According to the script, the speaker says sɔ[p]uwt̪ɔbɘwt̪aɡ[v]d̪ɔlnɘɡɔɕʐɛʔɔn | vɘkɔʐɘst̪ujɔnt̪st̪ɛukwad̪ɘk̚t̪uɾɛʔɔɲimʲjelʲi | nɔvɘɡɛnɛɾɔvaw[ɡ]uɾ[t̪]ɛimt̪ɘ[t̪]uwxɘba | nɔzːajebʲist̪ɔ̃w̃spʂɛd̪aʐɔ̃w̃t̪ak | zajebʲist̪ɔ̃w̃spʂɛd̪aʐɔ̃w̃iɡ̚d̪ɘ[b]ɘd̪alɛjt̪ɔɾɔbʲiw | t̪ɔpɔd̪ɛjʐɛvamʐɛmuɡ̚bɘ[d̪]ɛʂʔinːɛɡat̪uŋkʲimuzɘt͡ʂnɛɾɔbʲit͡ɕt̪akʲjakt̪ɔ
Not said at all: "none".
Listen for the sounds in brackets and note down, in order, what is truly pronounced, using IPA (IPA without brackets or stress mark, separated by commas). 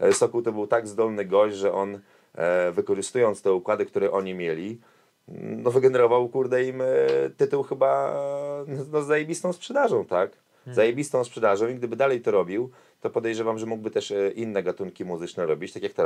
k, z, k, d̪, t̪, b, t̪